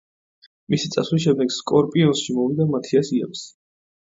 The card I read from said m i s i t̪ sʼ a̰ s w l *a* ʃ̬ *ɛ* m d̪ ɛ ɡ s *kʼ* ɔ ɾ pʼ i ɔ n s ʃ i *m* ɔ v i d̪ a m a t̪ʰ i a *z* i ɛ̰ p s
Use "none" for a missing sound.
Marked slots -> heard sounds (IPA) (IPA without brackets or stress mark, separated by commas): i, ɛ, kʼ, m, s